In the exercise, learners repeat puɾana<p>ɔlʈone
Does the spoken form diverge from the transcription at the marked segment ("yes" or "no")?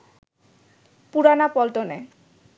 no